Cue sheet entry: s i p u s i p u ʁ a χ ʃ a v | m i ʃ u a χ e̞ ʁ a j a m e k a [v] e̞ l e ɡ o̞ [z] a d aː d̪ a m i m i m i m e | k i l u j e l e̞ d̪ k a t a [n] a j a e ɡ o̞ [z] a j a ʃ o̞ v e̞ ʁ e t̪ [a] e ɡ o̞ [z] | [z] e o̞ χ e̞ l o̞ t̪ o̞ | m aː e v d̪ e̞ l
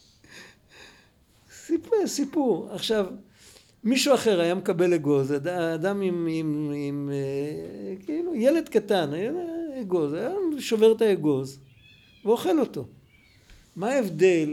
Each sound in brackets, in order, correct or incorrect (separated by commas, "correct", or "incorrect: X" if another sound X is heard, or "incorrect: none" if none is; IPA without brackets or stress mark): incorrect: b, correct, correct, correct, correct, correct, incorrect: v